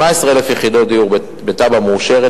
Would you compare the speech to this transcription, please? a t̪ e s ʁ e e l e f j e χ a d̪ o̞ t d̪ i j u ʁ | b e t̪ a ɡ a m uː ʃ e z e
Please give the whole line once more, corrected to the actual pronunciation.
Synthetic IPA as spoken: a e s ʁ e e l e f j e χ i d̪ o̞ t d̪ i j u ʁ | b e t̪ a b a m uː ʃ e ʁ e